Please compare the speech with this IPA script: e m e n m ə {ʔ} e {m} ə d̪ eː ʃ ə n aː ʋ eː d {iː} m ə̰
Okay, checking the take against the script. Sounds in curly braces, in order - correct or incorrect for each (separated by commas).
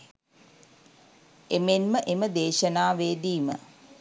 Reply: correct, correct, correct